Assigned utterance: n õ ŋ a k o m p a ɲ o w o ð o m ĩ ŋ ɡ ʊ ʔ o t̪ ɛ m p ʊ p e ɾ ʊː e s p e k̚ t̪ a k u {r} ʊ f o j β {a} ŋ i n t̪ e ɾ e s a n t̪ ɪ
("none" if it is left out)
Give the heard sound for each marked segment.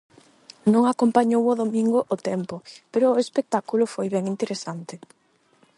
l, ɛ

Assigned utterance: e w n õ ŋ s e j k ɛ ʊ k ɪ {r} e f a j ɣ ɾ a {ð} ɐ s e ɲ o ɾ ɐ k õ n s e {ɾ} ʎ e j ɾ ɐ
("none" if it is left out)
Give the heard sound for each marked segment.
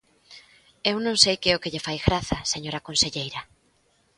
ʎ, θ, none

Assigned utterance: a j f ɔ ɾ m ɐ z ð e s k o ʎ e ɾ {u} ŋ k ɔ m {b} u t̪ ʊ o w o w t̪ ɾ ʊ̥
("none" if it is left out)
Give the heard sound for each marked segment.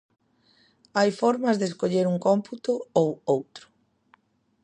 u, p

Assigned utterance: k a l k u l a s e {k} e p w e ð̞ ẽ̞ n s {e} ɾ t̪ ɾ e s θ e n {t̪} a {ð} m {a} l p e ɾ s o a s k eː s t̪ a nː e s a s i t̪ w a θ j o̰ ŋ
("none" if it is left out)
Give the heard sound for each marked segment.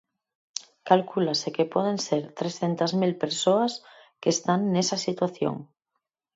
k, e, t̪, z, i

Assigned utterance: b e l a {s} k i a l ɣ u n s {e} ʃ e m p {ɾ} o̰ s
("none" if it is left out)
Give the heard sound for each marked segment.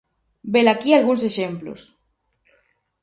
none, e, l

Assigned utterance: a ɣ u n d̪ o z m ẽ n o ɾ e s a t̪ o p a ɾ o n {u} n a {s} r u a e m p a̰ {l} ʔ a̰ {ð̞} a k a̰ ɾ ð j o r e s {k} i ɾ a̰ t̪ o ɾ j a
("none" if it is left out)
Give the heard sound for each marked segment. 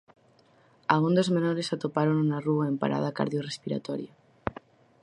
u, none, ɾ, ð̞, p

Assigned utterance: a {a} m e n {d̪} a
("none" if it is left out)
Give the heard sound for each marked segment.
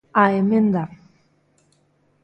e, d̪

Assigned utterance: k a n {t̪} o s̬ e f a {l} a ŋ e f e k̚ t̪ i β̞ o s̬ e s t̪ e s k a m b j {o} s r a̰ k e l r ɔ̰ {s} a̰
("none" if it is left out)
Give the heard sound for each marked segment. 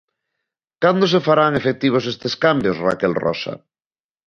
d̪, ɾ, o, s

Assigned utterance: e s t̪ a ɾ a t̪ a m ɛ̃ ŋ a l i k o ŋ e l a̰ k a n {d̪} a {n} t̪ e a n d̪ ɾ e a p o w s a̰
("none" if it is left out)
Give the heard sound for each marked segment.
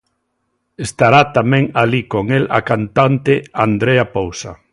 t̪, n

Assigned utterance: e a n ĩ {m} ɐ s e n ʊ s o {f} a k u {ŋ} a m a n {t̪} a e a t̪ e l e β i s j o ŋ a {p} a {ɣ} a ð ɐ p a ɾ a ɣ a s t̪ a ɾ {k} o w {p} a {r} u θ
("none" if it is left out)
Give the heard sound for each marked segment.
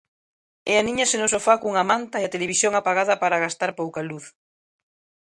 ɲ, f, ŋ, t̪, p, ɣ, p, k, l

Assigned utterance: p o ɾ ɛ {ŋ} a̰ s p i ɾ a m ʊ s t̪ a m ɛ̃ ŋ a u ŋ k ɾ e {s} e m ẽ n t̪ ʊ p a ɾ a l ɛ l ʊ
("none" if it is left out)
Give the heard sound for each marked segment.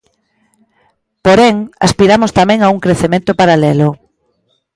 ŋ, θ

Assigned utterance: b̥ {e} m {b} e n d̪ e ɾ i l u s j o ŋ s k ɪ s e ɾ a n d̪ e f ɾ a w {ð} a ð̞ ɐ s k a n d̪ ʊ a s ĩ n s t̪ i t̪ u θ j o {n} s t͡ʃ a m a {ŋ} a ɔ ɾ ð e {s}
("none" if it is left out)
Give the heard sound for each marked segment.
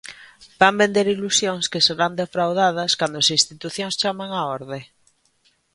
a, b, ð, ŋ, ŋ, none

